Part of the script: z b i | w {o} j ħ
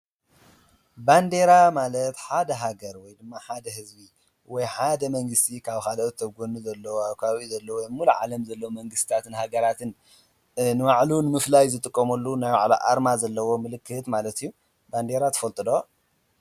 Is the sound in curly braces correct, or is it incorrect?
incorrect